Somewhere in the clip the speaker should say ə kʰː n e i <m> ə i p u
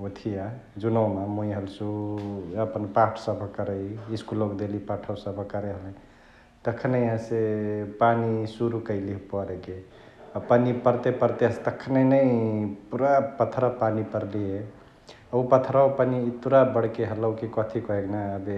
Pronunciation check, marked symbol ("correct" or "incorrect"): incorrect